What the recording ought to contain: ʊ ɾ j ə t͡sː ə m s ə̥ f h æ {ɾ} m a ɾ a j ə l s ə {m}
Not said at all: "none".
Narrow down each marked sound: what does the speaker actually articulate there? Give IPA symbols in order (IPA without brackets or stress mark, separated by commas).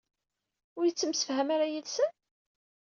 none, n